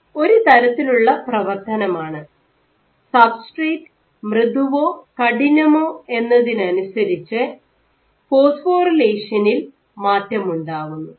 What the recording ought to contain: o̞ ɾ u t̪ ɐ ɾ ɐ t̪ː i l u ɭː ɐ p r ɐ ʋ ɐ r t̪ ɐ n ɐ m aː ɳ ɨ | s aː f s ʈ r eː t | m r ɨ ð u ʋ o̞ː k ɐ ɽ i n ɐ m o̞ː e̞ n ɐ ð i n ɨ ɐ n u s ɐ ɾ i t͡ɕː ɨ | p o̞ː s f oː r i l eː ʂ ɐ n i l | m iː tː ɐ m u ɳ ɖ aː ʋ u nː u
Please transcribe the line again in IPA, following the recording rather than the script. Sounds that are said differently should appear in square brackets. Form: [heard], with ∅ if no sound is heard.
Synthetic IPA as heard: o̞ ɾ u t̪ ɐ ɾ ɐ t̪ː i l u ɭː ɐ p r ɐ ʋ ɐ r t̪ ɐ n ɐ m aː ɳ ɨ | s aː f s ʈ r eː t | m r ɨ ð u ʋ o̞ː k ɐ ɽ i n ɐ m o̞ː e̞ [nː] ɐ ð i n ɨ ɐ n u s ɐ ɾ i t͡ɕː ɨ | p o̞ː s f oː r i l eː ʂ ɐ n i l | m [aː] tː ɐ m u ɳ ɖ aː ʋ u nː u